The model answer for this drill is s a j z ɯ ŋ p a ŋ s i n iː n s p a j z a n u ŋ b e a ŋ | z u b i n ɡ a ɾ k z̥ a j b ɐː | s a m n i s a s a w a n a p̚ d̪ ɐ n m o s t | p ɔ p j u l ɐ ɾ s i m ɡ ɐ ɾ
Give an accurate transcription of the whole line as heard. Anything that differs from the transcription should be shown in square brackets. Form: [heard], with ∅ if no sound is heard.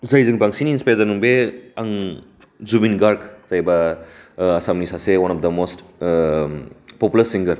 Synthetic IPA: [z] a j z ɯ ŋ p a ŋ s i n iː n s p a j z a n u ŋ b e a ŋ | z u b i n ɡ a ɾ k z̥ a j b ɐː | s a m n i s a s [e] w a n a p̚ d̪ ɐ [∅] m o s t | p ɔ p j u l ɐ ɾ s i [ŋ] ɡ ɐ ɾ